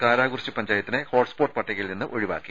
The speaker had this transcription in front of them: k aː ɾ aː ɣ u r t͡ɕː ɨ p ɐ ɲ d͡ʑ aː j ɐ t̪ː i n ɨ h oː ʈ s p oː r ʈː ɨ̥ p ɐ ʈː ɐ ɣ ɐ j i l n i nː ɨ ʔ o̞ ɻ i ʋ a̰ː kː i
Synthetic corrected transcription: k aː ɾ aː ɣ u r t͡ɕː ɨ p ɐ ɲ d͡ʑ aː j ɐ t̪ː i n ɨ h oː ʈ s p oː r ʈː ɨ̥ p ɐ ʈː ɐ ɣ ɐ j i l n i nː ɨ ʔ o̞ ɻ i ʋ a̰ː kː i

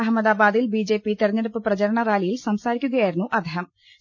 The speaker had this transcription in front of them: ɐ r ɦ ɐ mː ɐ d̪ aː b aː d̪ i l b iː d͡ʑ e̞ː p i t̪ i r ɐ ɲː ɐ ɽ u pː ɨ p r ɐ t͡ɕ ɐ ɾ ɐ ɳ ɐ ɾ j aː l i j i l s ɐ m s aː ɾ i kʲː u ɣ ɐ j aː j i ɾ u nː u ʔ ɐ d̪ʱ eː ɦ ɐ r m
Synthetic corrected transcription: ɐ ɦ ɐ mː ɐ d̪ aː b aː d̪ i l b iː d͡ʑ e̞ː p i t̪ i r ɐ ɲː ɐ ɽ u pː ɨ p r ɐ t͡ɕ ɐ ɾ ɐ ɳ ɐ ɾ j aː l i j i l s ɐ m s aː ɾ i kʲː u ɣ ɐ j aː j i ɾ u nː u ʔ ɐ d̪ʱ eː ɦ ɐ m

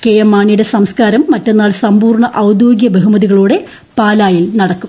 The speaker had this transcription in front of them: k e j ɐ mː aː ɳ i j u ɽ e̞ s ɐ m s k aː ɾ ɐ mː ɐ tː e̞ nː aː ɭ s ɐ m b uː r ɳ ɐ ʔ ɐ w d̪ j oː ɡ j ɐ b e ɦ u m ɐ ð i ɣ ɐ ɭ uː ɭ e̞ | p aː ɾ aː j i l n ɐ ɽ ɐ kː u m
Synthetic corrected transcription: k e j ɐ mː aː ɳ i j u ɽ e̞ s ɐ m s k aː ɾ ɐ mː ɐ tː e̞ nː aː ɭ s ɐ m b uː r ɳ ɐ ʔ ɐ w d̪ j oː ɡ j ɐ b e ɦ u m ɐ ð i ɣ ɐ ɭ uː ɽ e̞ | p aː l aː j i l n ɐ ɽ ɐ kː u m

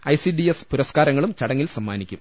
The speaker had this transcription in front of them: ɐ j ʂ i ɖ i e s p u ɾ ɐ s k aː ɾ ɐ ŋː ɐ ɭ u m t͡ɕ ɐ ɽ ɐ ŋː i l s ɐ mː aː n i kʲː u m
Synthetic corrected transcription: ɐ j s i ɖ i e s p u ɾ ɐ s k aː ɾ ɐ ŋː ɐ ɭ u m t͡ɕ ɐ ɽ ɐ ŋː i l s ɐ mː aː n i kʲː u m

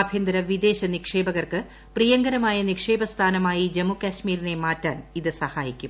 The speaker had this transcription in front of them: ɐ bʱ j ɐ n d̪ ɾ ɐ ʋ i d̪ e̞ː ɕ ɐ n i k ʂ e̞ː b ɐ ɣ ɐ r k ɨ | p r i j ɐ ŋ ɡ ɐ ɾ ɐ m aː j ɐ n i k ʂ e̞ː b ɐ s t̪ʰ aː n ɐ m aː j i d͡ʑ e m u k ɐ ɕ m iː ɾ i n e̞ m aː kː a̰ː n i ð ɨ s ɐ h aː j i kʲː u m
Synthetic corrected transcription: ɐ bʱ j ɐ n d̪ ɾ ɐ ʋ i d̪ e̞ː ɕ ɐ n i k ʂ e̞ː b ɐ ɣ ɐ r k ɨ | p r i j ɐ ŋ ɡ ɐ ɾ ɐ m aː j ɐ n i k ʂ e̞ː b ɐ s t̪ʰ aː n ɐ m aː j i d͡ʑ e m u k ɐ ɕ m iː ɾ i n e̞ m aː tː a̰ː n i ð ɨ s ɐ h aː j i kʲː u m

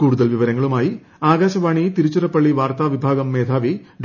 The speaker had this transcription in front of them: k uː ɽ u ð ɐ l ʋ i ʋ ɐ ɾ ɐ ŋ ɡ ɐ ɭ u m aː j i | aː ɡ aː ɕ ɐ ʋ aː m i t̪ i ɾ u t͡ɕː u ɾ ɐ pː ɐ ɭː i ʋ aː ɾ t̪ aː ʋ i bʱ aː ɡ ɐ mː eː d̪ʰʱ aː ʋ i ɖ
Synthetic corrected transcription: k uː ɽ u ð ɐ l ʋ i ʋ ɐ ɾ ɐ ŋ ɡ ɐ ɭ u m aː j i | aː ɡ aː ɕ ɐ ʋ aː ɳ i t̪ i ɾ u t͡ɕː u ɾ ɐ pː ɐ ɭː i ʋ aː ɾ t̪ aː ʋ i bʱ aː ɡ ɐ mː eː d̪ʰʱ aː ʋ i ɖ

